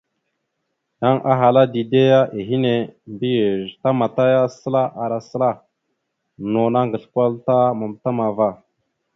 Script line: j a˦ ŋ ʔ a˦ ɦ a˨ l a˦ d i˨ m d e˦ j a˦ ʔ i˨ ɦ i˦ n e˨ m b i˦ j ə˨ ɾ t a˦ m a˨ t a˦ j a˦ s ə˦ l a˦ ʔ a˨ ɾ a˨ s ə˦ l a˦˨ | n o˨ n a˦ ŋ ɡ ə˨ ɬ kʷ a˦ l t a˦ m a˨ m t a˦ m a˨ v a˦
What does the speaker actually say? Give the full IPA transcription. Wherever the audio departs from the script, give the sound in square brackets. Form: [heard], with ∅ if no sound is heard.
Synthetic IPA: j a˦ ŋ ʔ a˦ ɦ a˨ l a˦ d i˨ [∅] d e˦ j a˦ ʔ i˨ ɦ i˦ n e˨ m b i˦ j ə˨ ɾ t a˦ m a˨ t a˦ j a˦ s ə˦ l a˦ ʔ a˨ ɾ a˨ s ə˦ l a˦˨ | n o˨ n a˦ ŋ ɡ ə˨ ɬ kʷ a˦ l t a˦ m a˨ m t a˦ m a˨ v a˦